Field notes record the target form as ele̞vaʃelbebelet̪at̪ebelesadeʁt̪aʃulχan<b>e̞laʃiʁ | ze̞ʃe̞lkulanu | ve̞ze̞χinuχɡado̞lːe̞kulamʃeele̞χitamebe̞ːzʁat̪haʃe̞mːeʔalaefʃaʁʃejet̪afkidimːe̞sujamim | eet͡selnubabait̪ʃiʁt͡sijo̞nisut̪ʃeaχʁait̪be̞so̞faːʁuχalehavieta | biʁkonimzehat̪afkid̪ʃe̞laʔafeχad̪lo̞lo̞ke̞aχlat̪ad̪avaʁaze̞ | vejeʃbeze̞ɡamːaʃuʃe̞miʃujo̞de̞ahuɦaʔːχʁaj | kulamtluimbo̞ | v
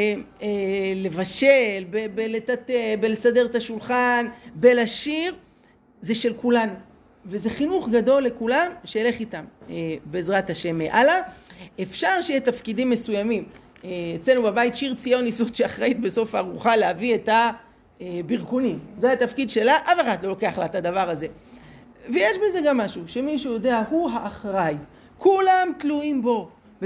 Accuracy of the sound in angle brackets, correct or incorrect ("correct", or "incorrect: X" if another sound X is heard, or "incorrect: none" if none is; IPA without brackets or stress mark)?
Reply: correct